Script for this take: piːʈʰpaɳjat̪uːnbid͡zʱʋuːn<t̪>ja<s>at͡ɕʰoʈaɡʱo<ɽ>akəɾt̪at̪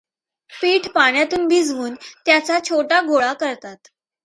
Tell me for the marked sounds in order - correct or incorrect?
correct, incorrect, incorrect

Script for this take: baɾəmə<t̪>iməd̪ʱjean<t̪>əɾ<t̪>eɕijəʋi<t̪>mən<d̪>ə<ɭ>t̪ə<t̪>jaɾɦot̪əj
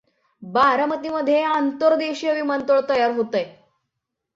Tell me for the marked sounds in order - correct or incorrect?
correct, correct, incorrect, incorrect, incorrect, correct, incorrect

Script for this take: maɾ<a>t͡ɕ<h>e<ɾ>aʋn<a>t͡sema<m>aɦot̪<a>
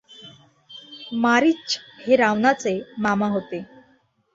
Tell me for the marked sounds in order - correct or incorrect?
incorrect, correct, correct, correct, correct, incorrect

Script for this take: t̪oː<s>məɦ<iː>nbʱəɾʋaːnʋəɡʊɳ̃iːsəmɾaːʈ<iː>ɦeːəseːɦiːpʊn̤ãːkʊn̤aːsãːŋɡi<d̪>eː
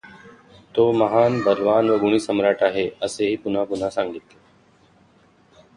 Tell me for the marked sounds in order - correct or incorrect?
incorrect, incorrect, incorrect, incorrect

